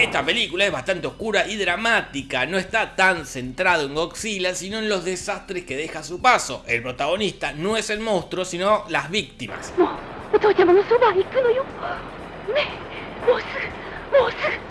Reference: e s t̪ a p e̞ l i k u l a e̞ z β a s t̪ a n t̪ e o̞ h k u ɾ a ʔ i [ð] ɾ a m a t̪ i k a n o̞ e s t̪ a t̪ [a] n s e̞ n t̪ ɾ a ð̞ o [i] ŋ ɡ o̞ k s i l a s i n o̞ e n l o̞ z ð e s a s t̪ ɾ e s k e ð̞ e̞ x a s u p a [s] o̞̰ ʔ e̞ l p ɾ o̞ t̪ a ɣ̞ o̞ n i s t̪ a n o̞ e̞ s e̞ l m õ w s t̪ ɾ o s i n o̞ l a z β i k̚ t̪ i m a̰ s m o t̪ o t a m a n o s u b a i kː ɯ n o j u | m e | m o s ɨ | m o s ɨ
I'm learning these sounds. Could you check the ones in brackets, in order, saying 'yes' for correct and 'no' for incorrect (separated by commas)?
yes, yes, no, yes